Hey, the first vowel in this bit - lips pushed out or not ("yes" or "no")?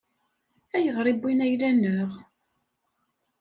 no